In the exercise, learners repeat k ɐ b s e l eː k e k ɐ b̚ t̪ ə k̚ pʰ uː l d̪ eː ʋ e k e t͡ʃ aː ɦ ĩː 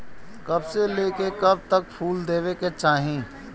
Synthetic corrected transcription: k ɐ b s e l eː k e k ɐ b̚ t̪ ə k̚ pʰ uː l d̪ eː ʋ e k e t͡ʃ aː ɦ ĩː